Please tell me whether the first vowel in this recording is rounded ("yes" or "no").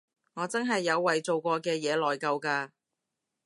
yes